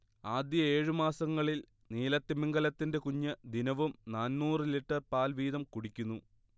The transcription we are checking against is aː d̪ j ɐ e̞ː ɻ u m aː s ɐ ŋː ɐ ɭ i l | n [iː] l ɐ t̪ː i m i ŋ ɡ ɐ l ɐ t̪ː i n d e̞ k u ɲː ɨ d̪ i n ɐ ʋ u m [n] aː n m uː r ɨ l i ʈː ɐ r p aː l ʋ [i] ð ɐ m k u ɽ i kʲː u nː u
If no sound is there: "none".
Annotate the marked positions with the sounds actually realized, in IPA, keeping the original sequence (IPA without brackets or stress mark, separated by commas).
iː, n, iː